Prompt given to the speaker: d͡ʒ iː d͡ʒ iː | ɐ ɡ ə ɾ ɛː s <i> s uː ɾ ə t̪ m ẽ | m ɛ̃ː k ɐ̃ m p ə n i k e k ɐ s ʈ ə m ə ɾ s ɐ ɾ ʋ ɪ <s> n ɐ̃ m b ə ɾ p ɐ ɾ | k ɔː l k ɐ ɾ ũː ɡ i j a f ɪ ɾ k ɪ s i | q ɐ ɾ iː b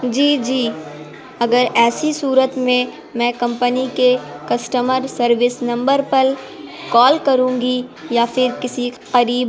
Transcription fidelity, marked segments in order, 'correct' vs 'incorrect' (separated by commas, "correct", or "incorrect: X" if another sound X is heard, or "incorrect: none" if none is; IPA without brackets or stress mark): correct, correct